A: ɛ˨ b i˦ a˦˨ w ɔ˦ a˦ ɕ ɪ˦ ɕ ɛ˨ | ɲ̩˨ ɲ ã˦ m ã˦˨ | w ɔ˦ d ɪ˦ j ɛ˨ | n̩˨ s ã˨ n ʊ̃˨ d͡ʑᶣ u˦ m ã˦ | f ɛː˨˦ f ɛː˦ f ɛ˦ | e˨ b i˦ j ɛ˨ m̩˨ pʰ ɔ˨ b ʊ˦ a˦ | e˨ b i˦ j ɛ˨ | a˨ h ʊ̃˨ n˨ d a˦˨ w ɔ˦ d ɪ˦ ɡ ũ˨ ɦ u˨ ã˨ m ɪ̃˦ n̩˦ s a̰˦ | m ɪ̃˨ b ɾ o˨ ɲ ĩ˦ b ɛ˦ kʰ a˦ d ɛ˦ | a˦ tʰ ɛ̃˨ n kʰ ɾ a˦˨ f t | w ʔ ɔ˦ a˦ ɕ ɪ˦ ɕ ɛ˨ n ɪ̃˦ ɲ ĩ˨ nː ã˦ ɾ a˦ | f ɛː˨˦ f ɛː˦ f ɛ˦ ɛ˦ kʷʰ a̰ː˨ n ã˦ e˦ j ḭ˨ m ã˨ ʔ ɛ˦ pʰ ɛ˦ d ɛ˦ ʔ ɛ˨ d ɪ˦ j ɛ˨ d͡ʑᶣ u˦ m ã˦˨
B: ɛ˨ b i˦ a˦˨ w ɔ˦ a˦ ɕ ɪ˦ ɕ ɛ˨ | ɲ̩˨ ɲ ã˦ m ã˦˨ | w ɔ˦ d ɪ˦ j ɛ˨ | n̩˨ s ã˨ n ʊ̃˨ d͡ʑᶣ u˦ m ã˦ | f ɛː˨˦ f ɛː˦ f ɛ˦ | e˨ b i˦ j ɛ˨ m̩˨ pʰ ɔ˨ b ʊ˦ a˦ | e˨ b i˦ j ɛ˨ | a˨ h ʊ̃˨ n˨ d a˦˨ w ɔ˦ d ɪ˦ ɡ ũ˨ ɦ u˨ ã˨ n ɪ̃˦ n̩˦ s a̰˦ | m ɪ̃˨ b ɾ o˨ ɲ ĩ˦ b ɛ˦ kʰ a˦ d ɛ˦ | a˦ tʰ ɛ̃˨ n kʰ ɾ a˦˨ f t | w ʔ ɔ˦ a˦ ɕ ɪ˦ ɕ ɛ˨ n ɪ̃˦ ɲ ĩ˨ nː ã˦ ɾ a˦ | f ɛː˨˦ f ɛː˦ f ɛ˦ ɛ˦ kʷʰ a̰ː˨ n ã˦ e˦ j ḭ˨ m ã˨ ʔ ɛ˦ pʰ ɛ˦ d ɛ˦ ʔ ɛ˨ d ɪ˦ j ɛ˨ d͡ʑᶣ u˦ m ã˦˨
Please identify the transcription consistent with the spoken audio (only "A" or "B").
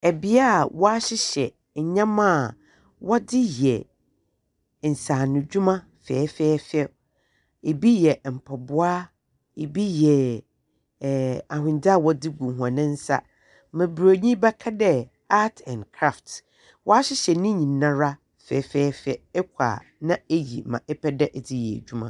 B